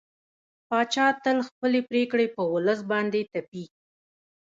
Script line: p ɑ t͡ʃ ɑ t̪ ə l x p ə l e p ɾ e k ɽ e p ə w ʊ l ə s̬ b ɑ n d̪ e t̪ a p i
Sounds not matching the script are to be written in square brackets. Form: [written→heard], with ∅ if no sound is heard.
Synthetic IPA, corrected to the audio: p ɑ t͡ʃ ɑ t̪ ə l x p ə l e p ɾ e k ɽ e p ə w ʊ l ə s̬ b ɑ n d̪ e t̪ a p i